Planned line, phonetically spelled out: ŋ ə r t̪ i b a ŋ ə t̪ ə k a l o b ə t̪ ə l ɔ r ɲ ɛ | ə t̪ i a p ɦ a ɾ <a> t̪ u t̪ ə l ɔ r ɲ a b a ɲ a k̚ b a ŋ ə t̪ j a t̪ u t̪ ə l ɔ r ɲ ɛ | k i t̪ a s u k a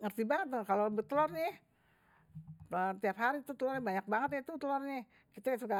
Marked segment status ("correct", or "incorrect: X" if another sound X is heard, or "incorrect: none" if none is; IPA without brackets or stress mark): incorrect: i